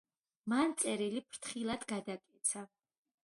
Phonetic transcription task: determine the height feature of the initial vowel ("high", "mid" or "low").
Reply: low